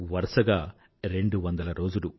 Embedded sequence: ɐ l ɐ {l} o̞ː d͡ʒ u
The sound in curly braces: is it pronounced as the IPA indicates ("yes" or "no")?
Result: no